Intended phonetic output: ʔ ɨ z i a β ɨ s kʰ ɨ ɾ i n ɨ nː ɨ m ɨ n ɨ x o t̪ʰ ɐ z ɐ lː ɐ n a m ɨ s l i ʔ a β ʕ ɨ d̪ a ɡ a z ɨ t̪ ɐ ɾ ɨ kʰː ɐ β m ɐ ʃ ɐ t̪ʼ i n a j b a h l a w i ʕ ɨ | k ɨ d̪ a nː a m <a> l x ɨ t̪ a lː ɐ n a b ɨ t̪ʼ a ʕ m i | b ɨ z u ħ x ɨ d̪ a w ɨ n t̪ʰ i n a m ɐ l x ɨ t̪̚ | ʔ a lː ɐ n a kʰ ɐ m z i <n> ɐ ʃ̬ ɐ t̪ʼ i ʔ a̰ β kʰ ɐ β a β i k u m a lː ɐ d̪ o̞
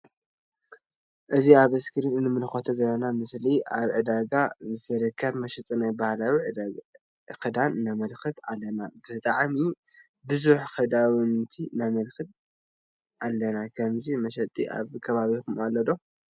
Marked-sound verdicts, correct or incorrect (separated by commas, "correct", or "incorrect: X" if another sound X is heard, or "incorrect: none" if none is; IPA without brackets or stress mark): incorrect: ɐ, incorrect: m